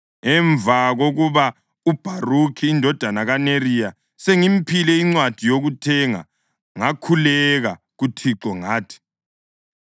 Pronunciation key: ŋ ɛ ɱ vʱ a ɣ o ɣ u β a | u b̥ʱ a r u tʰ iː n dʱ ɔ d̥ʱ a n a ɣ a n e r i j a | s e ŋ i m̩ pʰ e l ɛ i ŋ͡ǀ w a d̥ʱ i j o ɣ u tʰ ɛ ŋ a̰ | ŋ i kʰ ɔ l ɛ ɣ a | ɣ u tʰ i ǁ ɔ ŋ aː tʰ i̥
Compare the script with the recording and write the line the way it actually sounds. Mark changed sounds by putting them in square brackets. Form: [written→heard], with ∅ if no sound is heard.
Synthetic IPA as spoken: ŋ ɛ ɱ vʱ a ɣ o ɣ u β a | u b̥ʱ a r u [tʰ→kʰ] iː n dʱ ɔ d̥ʱ a n a ɣ a n e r i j a | s e ŋ i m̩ pʰ [e→i] l ɛ i ŋ͡ǀ w a d̥ʱ i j o ɣ u tʰ ɛ ŋ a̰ | ŋ [i→a] kʰ [ɔ→u] l ɛ ɣ a | ɣ u tʰ i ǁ ɔ ŋ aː tʰ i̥